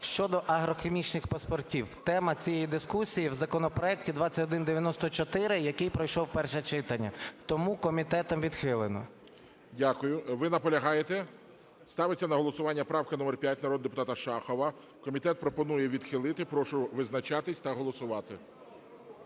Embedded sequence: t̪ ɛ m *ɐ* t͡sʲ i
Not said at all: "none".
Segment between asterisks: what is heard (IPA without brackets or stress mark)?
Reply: ɐ